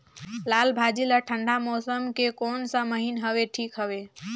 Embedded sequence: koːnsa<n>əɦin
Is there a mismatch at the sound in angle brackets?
yes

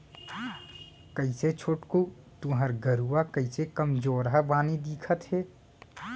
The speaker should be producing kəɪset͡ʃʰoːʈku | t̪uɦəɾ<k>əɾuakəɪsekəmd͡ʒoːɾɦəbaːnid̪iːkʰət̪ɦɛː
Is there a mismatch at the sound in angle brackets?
yes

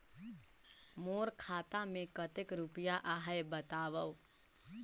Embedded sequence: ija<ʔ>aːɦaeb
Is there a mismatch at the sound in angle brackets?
no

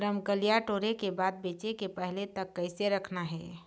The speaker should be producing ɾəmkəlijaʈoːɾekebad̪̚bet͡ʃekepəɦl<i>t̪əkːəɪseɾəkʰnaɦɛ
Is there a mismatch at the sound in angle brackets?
yes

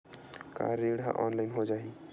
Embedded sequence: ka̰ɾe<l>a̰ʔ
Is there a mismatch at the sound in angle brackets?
yes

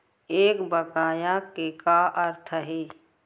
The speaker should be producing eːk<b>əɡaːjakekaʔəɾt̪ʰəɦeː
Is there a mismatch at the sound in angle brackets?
no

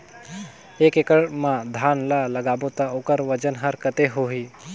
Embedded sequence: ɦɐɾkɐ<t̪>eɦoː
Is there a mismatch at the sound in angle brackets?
no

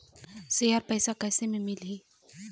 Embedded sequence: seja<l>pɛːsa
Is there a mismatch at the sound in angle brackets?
yes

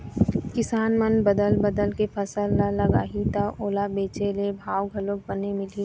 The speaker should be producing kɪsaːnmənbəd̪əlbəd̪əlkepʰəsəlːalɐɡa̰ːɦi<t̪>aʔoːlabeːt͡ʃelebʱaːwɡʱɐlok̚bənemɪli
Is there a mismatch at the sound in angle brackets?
no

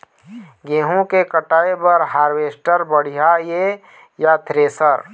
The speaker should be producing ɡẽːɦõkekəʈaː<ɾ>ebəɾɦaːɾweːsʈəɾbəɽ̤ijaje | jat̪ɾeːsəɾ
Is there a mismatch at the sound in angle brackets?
yes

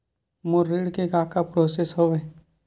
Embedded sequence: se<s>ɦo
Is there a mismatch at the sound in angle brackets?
no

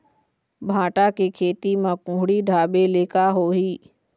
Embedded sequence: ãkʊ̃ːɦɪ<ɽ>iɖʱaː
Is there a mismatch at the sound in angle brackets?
no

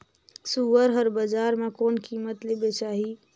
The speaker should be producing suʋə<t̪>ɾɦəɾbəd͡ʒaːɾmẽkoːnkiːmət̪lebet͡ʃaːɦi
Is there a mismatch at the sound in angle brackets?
yes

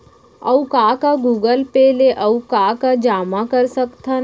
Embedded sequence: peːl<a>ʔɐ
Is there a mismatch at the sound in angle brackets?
yes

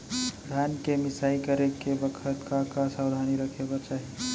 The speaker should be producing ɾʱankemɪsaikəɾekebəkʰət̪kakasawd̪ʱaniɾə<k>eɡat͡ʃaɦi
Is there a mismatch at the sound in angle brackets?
yes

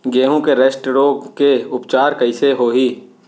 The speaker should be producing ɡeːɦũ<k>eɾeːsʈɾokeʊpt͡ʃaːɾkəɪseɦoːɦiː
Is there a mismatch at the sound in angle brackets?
no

